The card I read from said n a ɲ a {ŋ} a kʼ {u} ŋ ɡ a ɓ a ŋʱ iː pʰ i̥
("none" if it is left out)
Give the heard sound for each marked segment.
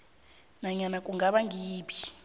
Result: n, u

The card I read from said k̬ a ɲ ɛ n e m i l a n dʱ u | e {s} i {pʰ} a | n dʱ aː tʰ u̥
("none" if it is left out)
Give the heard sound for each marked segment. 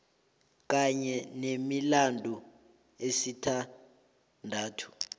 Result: s, tʰ

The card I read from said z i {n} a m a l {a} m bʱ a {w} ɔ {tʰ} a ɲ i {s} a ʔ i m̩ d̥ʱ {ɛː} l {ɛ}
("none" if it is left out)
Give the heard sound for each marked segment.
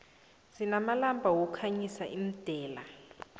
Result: n, a, w, kʰ, s, ɛː, a

